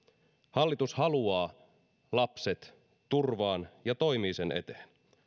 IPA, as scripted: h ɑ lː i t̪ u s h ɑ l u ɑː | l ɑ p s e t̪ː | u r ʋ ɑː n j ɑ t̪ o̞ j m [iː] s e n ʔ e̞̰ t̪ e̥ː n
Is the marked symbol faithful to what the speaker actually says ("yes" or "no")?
yes